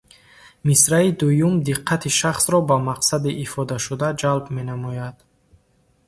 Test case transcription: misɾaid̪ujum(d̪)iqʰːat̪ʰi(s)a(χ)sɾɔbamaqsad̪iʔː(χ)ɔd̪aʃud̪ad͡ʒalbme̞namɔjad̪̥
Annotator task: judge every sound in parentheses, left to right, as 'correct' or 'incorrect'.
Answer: correct, incorrect, correct, incorrect

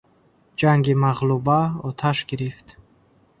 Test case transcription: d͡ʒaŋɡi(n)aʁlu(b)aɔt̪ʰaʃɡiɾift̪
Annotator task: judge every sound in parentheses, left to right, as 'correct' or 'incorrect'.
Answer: incorrect, correct

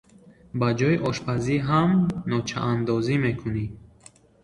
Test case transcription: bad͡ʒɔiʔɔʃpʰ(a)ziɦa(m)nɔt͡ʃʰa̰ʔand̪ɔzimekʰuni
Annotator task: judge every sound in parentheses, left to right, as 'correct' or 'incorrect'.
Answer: correct, correct

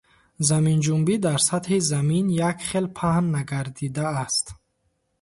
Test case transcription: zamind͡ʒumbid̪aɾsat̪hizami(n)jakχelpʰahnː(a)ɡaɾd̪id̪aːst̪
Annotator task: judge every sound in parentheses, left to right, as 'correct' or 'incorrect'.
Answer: correct, correct

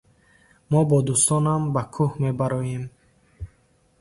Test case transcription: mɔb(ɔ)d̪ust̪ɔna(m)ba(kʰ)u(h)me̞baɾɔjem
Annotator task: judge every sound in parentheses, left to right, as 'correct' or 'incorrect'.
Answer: correct, correct, correct, correct

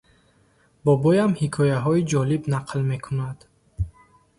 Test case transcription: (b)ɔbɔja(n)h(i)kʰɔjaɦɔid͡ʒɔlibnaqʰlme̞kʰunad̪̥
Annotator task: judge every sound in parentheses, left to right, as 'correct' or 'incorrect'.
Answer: correct, incorrect, correct

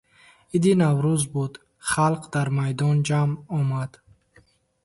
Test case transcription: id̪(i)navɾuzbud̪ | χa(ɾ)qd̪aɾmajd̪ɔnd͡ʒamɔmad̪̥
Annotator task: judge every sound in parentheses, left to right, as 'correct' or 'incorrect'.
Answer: correct, incorrect

